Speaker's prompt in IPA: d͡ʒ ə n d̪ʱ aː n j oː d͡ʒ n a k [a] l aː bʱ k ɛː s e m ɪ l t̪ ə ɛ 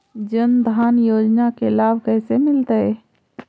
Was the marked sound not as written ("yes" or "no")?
yes